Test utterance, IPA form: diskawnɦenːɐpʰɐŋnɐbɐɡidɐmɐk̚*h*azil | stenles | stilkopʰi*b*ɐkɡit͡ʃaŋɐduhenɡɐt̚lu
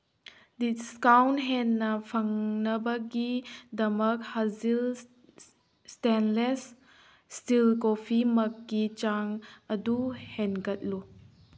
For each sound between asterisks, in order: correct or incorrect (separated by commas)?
correct, incorrect